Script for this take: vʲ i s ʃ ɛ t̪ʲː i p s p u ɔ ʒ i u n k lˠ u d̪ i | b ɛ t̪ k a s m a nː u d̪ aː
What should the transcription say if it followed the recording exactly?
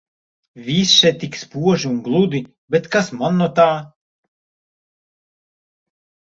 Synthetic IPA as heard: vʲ i s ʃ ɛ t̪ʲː i k s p u ɔ ʒ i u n ɡ lˠ u d̪ i | b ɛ t̪ k a s m a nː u t̪ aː